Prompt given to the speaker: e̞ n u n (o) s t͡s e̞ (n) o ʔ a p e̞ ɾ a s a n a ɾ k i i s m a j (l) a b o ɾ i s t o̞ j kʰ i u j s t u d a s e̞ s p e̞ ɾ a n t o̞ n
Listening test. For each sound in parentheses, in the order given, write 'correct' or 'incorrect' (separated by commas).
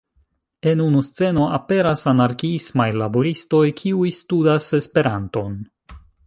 incorrect, correct, correct